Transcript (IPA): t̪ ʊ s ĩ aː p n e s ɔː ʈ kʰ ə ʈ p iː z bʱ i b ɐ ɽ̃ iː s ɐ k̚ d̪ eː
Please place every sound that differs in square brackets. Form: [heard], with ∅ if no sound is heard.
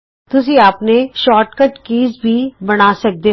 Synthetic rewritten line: t̪ ʊ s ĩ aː p n e [ʃ] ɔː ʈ [k] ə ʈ [k] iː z bʱ i b ɐ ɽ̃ [aː] s ɐ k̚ d̪ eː